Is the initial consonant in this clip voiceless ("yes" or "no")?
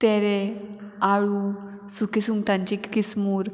yes